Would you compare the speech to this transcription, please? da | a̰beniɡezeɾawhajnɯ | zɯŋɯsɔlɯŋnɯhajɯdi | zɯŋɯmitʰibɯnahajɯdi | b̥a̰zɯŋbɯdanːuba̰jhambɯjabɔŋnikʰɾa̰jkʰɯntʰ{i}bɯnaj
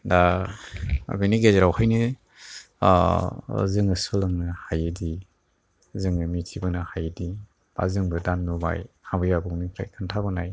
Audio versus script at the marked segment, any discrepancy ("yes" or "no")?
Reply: yes